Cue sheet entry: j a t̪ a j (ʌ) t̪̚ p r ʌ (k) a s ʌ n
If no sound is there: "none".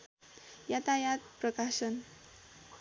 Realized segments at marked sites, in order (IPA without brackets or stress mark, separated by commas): a, k